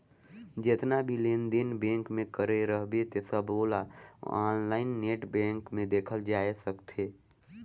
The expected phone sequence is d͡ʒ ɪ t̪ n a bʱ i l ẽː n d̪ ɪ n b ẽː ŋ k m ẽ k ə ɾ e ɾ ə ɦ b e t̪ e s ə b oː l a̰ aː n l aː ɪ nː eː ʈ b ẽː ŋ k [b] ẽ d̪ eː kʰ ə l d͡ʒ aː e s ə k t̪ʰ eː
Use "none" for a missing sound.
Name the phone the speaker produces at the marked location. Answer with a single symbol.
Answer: m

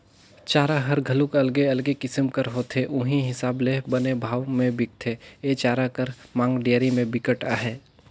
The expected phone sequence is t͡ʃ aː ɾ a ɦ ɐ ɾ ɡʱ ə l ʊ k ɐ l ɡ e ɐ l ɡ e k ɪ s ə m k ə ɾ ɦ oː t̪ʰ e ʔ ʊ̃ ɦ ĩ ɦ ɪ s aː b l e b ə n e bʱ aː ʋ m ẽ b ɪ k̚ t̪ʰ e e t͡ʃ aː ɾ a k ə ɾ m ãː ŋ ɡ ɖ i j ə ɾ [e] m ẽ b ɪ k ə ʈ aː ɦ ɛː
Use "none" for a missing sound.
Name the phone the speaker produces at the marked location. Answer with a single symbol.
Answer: i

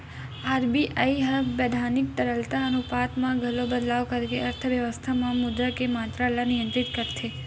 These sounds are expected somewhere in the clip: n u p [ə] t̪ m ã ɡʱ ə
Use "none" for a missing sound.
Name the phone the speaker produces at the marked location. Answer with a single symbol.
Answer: a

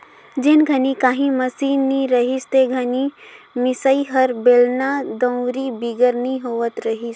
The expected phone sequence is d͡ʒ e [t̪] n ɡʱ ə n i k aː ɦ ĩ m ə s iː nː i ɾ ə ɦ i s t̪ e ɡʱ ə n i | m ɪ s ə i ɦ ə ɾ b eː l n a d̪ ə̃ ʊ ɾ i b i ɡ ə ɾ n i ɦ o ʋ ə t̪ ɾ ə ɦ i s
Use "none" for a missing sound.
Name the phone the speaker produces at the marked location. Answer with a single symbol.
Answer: none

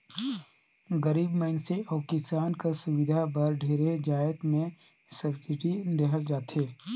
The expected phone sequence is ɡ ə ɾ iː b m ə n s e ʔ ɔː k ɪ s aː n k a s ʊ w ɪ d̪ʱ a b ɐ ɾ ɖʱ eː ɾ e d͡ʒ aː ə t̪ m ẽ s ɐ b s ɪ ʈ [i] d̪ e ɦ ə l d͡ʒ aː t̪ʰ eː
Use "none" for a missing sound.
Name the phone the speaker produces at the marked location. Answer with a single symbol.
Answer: i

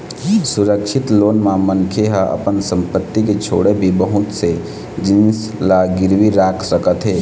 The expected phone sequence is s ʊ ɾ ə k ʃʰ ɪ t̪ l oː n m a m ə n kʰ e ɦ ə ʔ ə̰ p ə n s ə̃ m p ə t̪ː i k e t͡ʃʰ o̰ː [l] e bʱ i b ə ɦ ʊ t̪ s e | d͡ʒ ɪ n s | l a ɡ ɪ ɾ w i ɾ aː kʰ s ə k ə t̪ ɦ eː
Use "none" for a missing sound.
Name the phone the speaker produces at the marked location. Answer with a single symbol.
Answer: ɽ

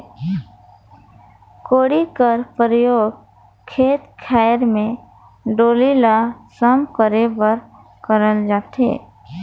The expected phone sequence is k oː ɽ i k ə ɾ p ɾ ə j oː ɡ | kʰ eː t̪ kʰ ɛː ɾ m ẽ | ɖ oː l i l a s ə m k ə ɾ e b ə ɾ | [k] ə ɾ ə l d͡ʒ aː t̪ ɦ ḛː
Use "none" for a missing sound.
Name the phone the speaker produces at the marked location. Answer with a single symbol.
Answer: k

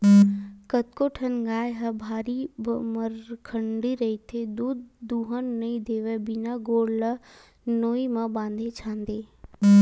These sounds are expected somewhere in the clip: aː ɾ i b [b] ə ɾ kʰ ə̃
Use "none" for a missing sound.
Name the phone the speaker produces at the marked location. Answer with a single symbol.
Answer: m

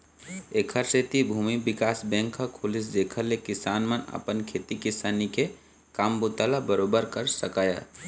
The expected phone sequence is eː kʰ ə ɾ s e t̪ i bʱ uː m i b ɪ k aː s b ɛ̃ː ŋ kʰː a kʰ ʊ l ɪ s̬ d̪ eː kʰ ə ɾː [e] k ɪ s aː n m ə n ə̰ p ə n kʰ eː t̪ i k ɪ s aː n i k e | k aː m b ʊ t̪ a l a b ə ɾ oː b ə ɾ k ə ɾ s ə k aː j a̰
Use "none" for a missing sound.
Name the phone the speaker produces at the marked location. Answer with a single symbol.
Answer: e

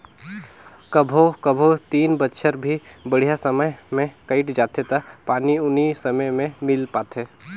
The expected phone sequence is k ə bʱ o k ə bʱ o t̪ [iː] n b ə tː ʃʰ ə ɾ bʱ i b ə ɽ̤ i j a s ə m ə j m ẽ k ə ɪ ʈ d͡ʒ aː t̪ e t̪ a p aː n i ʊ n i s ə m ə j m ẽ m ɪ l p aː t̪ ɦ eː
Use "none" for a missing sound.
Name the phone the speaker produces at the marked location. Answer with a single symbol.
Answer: iː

